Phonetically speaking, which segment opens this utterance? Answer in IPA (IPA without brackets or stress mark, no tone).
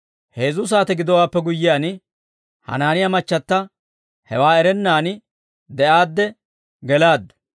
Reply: h